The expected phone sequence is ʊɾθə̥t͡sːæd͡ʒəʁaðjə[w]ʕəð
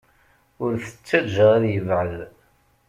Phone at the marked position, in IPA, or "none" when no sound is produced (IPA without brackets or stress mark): v